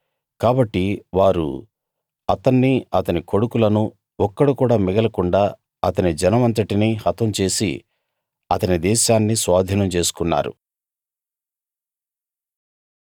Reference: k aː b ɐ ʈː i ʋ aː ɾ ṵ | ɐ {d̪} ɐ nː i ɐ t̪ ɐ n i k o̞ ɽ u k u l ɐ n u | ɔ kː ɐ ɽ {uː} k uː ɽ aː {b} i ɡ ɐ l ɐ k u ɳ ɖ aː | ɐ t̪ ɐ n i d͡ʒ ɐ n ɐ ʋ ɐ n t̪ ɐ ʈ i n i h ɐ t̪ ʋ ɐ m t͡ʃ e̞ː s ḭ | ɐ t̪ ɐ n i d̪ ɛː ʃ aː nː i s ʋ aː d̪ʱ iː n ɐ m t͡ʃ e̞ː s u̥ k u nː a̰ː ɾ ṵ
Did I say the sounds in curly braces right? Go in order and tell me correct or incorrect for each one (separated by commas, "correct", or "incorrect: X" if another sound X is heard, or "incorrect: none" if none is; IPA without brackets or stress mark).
incorrect: t̪, incorrect: u, incorrect: m